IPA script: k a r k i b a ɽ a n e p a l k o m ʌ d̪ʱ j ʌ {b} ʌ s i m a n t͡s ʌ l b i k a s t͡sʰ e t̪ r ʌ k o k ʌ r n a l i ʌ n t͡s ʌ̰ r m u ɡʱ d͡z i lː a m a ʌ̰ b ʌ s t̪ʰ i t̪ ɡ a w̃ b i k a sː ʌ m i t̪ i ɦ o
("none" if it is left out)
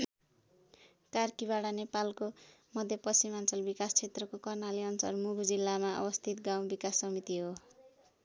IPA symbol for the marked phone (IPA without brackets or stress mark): p